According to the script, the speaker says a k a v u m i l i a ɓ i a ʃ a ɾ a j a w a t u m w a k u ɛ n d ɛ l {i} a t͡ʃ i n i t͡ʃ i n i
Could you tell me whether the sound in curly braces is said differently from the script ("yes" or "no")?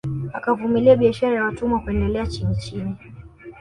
yes